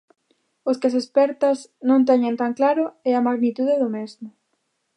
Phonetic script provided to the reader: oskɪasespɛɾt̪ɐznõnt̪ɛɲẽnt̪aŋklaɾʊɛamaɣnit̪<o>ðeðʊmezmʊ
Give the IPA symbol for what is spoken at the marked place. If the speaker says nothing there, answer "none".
u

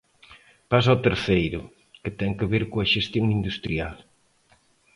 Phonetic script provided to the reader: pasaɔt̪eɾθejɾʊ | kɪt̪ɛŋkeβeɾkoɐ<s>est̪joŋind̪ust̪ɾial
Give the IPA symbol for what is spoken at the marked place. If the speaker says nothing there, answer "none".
ʃ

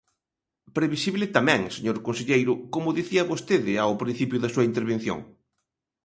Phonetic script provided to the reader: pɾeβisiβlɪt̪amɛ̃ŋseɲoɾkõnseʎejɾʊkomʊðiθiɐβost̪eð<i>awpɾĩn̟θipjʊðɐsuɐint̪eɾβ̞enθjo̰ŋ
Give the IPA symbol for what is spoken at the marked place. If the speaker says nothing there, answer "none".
ɪ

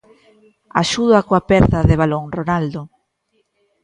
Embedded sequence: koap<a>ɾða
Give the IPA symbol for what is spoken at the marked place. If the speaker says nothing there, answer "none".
ɛ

